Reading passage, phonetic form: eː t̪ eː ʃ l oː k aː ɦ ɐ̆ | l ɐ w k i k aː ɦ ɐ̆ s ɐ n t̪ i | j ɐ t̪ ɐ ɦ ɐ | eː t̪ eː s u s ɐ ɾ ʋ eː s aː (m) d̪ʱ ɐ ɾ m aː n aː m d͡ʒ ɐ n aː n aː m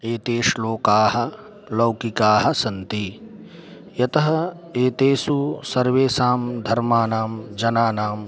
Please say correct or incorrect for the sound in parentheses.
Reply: correct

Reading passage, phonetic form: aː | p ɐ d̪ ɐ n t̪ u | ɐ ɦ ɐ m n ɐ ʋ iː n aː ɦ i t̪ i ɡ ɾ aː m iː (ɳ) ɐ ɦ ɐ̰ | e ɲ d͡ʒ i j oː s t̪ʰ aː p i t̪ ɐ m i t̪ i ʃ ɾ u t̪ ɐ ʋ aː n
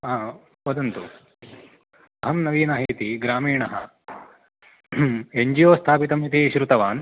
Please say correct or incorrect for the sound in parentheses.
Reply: correct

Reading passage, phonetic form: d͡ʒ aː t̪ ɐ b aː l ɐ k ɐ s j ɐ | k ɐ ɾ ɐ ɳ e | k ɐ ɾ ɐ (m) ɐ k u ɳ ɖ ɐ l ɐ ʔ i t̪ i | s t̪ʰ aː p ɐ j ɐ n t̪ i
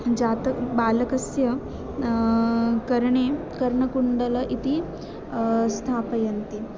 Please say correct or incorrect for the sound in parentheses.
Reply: incorrect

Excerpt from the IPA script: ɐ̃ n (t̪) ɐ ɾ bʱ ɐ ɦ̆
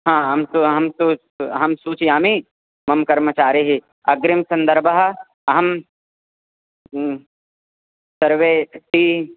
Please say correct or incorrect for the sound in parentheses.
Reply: incorrect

